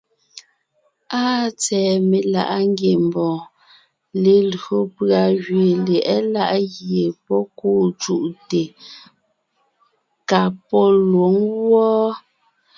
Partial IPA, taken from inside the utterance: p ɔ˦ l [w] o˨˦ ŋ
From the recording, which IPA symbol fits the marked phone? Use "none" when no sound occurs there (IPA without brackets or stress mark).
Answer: w